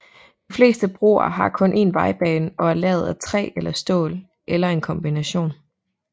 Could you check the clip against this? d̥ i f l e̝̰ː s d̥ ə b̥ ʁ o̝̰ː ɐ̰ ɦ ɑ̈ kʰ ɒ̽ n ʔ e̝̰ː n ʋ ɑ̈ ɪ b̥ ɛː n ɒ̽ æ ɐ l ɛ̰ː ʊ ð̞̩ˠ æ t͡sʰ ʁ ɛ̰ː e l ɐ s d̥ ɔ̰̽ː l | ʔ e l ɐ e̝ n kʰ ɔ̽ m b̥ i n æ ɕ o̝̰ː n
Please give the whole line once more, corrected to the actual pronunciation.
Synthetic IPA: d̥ i f l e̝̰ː s d̥ ə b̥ ʁ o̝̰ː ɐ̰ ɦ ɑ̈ kʰ ɔ̽ n ʔ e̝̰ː n ʋ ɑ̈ ɪ b̥ ɛː n ɒ̽ æ ɐ l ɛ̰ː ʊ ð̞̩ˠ æ t͡sʰ ʁ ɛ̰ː e l ɐ s d̥ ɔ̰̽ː l | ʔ e l ɐ e̝ n kʰ ɒ̽ m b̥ i n æ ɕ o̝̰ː n